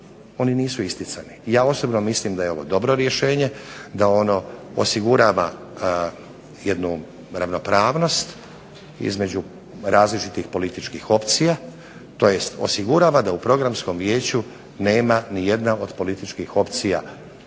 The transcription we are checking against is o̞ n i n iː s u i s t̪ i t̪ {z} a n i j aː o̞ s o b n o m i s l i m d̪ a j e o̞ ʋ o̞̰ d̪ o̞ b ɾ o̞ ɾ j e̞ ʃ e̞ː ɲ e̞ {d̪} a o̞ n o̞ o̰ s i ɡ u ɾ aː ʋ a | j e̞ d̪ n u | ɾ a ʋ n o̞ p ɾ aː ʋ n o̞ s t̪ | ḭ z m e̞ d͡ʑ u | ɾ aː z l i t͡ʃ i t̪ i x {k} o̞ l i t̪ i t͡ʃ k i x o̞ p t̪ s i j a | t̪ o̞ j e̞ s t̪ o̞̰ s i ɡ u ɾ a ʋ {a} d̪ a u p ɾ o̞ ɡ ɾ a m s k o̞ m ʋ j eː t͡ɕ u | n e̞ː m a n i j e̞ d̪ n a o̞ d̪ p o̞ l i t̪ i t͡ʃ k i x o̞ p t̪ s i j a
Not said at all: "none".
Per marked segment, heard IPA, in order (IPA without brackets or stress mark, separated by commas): s, d̪, p, a